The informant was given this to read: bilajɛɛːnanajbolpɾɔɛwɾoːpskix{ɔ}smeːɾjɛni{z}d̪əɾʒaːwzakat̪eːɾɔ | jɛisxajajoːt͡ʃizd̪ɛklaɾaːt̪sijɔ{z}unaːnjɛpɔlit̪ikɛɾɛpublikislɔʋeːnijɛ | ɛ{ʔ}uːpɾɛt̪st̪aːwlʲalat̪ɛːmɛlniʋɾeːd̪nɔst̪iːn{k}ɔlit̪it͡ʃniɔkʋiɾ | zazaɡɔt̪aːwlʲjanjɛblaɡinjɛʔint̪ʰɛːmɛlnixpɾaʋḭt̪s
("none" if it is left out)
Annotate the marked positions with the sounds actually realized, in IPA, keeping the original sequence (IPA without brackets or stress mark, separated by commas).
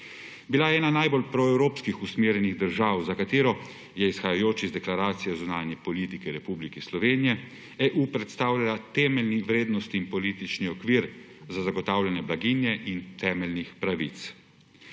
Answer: u, ɣ, z, ʔ, p